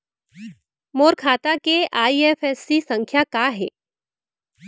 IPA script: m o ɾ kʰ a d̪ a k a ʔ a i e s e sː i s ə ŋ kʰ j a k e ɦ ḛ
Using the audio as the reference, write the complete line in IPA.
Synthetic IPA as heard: m o ɾ kʰ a t̪ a k e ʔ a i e f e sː i s ə ŋ kʰ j a k a ɦ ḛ